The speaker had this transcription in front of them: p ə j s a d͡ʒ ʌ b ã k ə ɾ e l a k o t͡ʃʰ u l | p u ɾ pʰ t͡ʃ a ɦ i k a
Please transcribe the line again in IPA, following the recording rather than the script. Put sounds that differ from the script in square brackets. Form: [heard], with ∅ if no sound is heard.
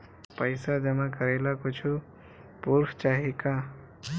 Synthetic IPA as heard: p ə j s a d͡ʒ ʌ [m] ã k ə ɾ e l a k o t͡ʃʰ u [∅] | p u ɾ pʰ t͡ʃ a ɦ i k a